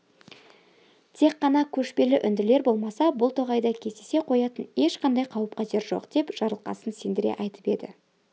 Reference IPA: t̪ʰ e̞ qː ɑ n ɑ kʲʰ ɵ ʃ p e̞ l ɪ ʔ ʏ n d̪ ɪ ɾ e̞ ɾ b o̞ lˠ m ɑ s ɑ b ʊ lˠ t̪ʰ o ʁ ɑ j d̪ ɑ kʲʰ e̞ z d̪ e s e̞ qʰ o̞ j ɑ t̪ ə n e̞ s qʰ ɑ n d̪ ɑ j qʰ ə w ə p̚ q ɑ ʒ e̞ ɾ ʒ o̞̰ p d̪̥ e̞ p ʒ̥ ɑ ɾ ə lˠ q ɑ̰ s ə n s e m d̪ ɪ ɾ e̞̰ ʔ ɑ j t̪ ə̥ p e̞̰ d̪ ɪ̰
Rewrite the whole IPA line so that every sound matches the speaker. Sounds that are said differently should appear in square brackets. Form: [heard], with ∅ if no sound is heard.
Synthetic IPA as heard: t̪ʰ e̞ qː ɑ n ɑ kʲʰ ɵ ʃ p e̞ l ɪ ʔ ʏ n d̪ ɪ [l] e̞ ɾ b o̞ lˠ m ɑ s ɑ b ʊ lˠ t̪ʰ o ʁ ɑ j d̪ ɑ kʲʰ e̞ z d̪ e s e̞ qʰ o̞ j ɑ t̪ ə n e̞ [ʃ] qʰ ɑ n d̪ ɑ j qʰ [ɑ] w ə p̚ q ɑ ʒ e̞ ɾ ʒ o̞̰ [q] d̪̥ e̞ p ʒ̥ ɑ ɾ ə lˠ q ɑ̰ s ə n s e [n] d̪ ɪ ɾ e̞̰ ʔ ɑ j t̪ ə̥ p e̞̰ d̪ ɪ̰

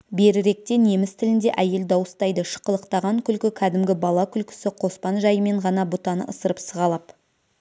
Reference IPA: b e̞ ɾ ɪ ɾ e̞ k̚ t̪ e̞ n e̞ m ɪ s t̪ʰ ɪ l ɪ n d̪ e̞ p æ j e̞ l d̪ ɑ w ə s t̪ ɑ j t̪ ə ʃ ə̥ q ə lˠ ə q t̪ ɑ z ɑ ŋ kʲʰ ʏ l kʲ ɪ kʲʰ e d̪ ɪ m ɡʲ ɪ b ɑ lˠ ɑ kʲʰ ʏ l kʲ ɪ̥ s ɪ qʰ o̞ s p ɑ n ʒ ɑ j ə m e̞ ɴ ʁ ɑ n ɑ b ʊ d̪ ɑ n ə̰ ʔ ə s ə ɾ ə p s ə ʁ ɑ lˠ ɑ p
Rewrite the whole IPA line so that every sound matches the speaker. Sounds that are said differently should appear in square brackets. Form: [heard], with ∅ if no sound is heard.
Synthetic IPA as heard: b e̞ ɾ ɪ ɾ e̞ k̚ t̪ e̞ n e̞ m ɪ s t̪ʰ ɪ l ɪ n d̪ e̞ [ʔ] æ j e̞ l d̪ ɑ w ə s t̪ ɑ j [d̪] ə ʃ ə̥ q ə lˠ ə q t̪ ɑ [ʁ] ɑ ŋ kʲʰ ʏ l kʲ ɪ kʲʰ [æ] d̪ ɪ m ɡʲ ɪ b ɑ lˠ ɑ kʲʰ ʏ l kʲ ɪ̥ s ɪ qʰ o̞ s p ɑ n ʒ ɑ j ə m e̞ ɴ ʁ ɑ n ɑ b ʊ [t̪] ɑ n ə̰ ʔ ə s ə ɾ ə p s ə ʁ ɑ lˠ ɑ p

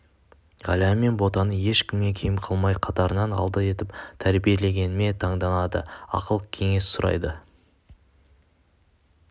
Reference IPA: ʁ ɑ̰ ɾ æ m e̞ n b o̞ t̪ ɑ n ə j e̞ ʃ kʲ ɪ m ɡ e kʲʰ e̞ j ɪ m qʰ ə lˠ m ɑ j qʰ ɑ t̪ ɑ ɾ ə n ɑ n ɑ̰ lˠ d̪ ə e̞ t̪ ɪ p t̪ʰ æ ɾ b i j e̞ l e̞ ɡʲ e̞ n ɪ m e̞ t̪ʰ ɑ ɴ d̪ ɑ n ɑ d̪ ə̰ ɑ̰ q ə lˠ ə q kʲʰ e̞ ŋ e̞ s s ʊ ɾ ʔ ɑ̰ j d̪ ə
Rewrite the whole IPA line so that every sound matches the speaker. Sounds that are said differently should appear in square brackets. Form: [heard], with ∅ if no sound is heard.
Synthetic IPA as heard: ʁ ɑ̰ [l] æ m e̞ n b o̞ t̪ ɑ n ə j e̞ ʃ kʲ ɪ m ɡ e kʲʰ e̞ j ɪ m qʰ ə lˠ m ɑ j qʰ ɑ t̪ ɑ ɾ ə n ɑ n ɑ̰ lˠ d̪ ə e̞ t̪ ɪ p t̪ʰ æ ɾ b i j e̞ l e̞ ɡʲ e̞ n ɪ m e̞ t̪ʰ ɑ ɴ d̪ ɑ n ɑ d̪ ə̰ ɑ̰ q ə lˠ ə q kʲʰ e̞ ŋ e̞ s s ʊ ɾ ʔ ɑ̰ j d̪ ə

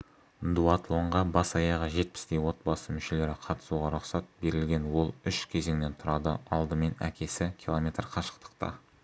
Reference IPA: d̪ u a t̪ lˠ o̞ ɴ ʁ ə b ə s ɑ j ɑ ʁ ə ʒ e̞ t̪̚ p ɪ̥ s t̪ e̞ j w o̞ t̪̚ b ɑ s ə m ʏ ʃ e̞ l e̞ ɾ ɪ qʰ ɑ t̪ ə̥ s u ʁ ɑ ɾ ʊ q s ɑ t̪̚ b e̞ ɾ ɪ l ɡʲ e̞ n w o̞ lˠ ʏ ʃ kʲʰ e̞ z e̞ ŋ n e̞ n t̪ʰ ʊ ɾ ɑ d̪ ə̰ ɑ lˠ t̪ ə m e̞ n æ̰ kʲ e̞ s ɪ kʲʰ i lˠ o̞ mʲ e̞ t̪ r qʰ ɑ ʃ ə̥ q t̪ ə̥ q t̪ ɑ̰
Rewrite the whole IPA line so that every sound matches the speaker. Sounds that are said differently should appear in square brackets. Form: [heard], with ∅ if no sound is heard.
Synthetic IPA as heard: d̪ u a t̪ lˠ o̞ ɴ ʁ [ɑ] b [ɑ] s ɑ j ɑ ʁ ə ʒ e̞ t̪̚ p ɪ̥ s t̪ e̞ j w o̞ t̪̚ b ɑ s ə m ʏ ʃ e̞ l e̞ ɾ ɪ qʰ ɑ t̪ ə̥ s u ʁ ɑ ɾ ʊ q s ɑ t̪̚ b e̞ ɾ ɪ l ɡʲ e̞ n w o̞ lˠ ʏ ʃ kʲʰ e̞ z e̞ ŋ n e̞ n t̪ʰ ʊ ɾ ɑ d̪ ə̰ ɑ lˠ [d̪] ə m e̞ n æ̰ kʲ e̞ s ɪ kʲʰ i lˠ o̞ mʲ e̞ t̪ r qʰ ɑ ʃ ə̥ q t̪ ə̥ q t̪ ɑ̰

